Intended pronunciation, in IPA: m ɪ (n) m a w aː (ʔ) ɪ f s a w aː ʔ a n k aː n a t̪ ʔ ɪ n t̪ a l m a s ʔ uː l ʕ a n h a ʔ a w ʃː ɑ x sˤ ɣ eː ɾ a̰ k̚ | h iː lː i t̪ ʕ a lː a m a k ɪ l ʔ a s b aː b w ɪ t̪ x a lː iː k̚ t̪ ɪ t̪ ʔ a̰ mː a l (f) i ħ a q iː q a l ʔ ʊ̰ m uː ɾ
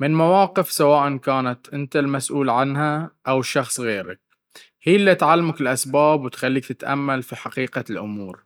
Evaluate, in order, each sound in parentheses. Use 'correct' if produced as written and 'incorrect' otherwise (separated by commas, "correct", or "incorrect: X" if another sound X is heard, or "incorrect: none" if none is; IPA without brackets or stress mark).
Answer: correct, incorrect: q, correct